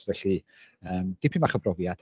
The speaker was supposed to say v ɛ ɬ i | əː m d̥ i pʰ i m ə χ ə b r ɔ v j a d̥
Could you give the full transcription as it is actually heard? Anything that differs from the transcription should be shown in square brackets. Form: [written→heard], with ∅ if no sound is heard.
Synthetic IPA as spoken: v ɛ ɬ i | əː m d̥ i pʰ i m [ə→a] χ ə b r ɔ v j a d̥